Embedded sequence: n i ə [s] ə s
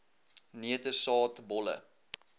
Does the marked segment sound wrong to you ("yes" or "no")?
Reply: yes